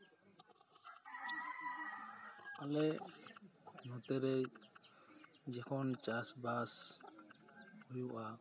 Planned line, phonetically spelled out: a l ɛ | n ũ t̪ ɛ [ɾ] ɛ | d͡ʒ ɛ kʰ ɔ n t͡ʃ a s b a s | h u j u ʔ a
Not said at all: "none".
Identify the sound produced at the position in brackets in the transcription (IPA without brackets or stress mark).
ɾ